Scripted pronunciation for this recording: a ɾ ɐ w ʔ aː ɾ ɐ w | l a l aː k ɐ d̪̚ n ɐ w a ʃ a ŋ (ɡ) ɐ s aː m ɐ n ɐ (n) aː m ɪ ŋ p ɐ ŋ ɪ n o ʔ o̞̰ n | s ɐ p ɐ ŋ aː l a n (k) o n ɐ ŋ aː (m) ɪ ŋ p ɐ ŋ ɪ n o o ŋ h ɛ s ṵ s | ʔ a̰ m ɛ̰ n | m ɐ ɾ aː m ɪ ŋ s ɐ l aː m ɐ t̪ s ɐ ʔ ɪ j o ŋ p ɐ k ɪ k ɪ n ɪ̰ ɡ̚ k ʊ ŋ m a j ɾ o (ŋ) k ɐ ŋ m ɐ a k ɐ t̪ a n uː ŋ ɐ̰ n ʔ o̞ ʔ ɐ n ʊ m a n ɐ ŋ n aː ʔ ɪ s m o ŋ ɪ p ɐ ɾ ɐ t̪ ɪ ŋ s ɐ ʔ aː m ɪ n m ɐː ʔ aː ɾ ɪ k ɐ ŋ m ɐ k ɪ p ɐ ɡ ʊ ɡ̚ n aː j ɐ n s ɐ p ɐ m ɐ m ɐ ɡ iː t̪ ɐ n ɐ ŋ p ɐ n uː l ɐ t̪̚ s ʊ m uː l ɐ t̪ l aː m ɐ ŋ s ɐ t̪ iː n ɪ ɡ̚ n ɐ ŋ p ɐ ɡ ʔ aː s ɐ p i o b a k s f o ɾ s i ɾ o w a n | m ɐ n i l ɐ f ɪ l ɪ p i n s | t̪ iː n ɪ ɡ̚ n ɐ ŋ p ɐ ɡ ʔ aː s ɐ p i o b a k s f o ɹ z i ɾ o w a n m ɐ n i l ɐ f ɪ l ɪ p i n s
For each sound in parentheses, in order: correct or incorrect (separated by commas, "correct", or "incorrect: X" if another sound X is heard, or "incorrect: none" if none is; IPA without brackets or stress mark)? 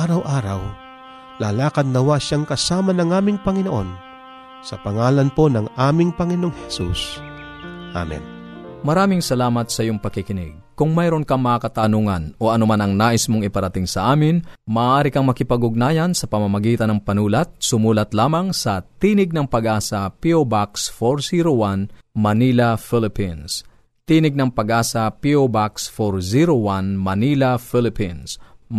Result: incorrect: k, incorrect: ŋ, incorrect: p, correct, incorrect: n